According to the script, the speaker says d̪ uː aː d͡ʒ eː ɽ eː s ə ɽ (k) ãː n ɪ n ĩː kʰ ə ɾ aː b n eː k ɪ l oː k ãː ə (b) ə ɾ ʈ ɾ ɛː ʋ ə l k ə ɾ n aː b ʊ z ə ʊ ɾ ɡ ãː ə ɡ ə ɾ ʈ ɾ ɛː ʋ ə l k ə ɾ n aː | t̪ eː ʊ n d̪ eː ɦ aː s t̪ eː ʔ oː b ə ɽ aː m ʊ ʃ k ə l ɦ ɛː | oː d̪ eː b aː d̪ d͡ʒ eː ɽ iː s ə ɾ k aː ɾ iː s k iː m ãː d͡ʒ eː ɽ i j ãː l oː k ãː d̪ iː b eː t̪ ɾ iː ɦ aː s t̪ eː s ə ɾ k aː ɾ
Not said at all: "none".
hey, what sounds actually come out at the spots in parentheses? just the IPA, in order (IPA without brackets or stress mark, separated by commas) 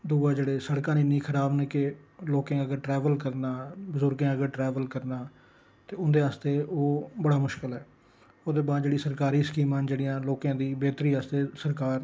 k, ɡ